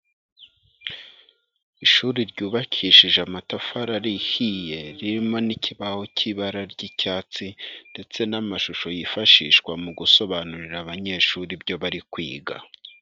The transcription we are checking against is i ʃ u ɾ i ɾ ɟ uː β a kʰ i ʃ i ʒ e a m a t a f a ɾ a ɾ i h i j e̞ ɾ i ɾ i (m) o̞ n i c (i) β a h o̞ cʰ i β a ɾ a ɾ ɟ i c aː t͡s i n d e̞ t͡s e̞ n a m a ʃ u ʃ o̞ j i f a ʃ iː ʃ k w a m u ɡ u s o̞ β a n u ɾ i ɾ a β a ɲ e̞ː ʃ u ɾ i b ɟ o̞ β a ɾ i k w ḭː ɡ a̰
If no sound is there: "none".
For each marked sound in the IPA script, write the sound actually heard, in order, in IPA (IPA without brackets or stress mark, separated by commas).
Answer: m, i